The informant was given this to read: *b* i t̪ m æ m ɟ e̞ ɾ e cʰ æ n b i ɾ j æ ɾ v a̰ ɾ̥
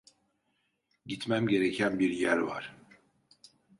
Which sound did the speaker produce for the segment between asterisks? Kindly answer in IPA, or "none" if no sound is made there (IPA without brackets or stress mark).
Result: ɟ